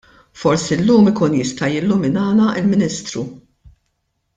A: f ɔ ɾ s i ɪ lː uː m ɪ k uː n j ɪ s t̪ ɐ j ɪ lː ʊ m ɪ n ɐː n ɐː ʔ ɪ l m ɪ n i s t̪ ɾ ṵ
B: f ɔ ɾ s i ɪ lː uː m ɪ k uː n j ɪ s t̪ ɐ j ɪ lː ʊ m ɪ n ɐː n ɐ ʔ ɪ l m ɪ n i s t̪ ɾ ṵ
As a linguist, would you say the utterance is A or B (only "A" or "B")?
B